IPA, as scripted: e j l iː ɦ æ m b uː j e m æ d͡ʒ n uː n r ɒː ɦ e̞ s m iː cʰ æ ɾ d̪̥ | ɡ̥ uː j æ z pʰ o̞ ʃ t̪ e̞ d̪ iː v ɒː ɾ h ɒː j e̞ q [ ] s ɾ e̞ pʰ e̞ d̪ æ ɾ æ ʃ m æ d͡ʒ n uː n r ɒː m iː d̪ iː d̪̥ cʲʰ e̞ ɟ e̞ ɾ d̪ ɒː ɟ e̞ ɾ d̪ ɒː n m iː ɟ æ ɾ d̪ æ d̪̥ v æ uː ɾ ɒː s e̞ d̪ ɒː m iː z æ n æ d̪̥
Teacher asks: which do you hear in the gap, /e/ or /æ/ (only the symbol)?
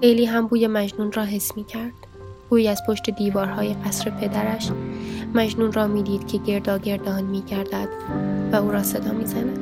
æ